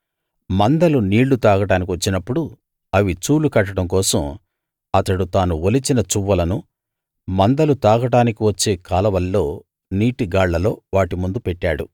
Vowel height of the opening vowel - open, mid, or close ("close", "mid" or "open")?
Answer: open